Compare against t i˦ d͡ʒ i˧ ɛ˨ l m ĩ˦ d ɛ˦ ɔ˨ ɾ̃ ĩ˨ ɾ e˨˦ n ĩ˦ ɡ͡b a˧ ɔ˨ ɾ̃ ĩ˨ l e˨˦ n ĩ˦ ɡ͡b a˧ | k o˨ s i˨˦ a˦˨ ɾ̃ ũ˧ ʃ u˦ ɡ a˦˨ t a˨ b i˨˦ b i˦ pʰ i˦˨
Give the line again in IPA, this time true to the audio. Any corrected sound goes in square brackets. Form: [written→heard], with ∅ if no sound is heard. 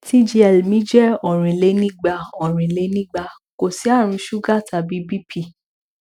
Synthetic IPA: t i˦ d͡ʒ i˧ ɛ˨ l m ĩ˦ [d→d͡ʒ] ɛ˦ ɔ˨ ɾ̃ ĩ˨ [ɾ→l] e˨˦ n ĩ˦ ɡ͡b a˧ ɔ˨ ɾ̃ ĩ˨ l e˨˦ n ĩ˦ ɡ͡b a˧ | k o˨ s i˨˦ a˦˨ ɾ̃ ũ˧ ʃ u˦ ɡ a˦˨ t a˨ b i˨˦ b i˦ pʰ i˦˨